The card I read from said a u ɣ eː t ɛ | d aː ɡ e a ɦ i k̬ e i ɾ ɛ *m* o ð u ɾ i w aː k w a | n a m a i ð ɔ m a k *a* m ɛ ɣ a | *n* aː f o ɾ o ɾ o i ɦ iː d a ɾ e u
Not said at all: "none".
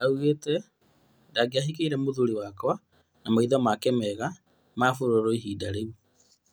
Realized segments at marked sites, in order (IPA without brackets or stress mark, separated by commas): m, ɛ, m